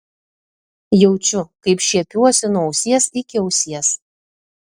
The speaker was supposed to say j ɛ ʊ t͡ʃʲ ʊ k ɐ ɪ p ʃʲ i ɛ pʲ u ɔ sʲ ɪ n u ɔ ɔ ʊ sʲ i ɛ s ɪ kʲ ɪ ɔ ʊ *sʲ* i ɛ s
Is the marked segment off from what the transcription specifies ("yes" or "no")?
no